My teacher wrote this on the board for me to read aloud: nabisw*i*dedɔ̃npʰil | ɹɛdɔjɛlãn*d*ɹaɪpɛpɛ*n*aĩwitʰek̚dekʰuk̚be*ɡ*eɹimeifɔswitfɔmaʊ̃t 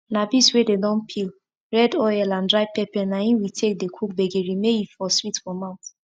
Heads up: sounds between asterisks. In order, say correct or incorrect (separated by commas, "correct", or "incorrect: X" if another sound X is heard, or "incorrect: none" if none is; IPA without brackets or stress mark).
incorrect: e, correct, correct, correct